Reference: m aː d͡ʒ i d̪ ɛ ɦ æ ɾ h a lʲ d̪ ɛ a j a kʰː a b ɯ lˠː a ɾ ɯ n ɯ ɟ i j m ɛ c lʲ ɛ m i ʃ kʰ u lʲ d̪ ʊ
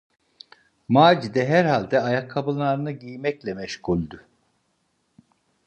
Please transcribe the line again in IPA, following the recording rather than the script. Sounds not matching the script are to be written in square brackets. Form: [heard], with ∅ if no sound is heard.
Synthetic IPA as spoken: m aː d͡ʒ i d̪ ɛ ɦ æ ɾ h a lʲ d̪ ɛ a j a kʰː a b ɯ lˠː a ɾ ɯ n ɯ ɟ i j m ɛ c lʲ ɛ m [ɛ] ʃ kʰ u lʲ d̪ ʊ